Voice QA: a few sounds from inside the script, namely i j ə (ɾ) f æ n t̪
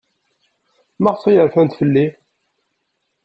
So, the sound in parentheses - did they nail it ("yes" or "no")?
yes